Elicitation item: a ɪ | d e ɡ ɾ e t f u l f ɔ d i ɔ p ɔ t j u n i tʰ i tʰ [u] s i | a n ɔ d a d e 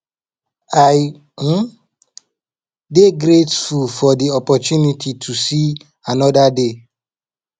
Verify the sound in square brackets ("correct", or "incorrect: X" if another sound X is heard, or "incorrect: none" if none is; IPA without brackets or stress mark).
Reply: correct